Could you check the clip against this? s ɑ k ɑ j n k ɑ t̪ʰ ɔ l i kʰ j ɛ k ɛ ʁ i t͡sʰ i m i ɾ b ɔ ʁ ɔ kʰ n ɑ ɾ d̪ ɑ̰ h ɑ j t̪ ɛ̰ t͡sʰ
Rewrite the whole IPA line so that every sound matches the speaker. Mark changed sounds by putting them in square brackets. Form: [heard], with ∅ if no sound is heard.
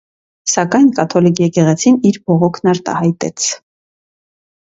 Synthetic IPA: s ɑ k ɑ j n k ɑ t̪ʰ ɔ l i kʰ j ɛ k ɛ ʁ [ɛ] t͡sʰ i [n] i ɾ b ɔ ʁ ɔ kʰ n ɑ ɾ [t̪] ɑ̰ h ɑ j t̪ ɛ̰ t͡sʰ

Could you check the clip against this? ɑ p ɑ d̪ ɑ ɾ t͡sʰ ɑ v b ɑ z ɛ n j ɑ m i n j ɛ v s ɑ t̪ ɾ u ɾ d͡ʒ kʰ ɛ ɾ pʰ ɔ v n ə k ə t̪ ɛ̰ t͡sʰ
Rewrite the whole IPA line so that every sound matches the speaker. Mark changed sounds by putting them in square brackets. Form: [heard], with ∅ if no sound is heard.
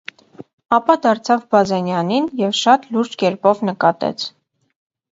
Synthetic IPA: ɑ p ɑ d̪ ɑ ɾ t͡sʰ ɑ v b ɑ z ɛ n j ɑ [n] i n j ɛ v [ʃ] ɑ t̪ [l] u ɾ d͡ʒ [k] ɛ ɾ [p] ɔ v n ə k [ɑ] t̪ ɛ̰ t͡sʰ

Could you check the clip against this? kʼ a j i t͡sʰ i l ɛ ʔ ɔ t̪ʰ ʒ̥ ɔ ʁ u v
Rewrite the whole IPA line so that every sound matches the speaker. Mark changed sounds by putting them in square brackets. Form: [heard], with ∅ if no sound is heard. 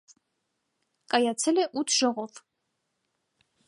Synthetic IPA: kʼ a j [a] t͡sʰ [ɛ] l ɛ ʔ [u] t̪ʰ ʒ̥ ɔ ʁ [ɔ] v

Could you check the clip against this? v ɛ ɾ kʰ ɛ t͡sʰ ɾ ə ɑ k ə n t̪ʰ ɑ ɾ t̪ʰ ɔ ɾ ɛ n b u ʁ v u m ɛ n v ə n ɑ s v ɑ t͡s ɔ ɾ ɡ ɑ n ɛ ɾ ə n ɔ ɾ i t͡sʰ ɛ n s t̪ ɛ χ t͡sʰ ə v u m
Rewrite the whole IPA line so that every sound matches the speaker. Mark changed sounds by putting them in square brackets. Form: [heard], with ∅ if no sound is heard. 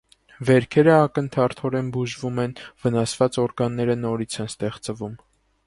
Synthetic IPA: v ɛ ɾ kʰ ɛ [∅] ɾ ə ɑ k ə n t̪ʰ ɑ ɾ t̪ʰ ɔ ɾ ɛ n b u [ʒ] v u m ɛ n v ə n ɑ s v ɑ t͡s ɔ ɾ ɡ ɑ [nː] ɛ ɾ ə n ɔ ɾ i t͡sʰ ɛ n s t̪ ɛ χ [t͡s] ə v u m

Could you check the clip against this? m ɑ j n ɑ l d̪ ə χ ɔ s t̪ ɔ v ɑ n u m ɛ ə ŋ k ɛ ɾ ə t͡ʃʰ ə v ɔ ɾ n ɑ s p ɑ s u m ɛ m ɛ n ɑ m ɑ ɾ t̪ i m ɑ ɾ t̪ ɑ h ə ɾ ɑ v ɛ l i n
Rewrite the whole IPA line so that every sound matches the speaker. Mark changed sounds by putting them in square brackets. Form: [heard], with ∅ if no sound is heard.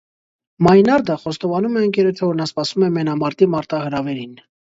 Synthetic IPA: m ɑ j n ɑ [ɾ] d̪ ə χ ɔ s t̪ ɔ v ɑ n u m ɛ ə ŋ k ɛ ɾ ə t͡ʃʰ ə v ɔ ɾ n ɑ s p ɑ s u m ɛ m ɛ n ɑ m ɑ ɾ t̪ i m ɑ ɾ t̪ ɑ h ə ɾ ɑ v ɛ [ɾ] i n

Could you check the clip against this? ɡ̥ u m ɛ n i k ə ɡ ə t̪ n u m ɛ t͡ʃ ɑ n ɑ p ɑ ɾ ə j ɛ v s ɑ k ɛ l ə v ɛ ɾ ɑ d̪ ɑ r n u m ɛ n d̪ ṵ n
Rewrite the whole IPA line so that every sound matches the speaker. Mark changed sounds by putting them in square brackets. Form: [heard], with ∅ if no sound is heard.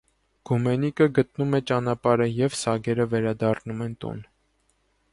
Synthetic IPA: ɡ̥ u m ɛ n i k ə ɡ ə t̪ n u m ɛ t͡ʃ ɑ n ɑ p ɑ ɾ ə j ɛ v s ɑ [ɡ] ɛ [ɾ] ə v ɛ ɾ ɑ d̪ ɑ r n u m ɛ n [t̪] ṵ n

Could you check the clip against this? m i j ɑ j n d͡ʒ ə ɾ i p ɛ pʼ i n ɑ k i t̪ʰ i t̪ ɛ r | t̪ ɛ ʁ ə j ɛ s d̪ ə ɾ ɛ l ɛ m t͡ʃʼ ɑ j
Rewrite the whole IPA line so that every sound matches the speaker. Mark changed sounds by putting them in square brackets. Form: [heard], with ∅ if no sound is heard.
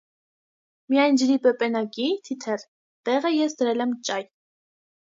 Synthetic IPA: m i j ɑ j n d͡ʒ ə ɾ i p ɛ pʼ [ɛ] n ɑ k i t̪ʰ i [t̪ʰ] ɛ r | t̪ ɛ ʁ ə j ɛ s d̪ ə ɾ ɛ l ɛ m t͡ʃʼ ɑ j

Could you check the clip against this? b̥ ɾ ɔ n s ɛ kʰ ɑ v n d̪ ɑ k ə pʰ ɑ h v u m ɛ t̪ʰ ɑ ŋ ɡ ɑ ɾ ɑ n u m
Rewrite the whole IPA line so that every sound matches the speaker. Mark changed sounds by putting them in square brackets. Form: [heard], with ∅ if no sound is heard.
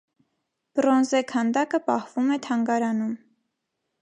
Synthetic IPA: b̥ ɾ ɔ n [z] ɛ kʰ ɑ [∅] n d̪ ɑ k ə [p] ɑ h v u m ɛ t̪ʰ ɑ ŋ ɡ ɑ ɾ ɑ n u m

